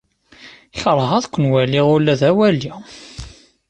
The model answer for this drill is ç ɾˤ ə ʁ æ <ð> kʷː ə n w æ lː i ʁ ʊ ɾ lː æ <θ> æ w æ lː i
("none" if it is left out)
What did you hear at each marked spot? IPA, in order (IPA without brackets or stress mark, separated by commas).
ð, ð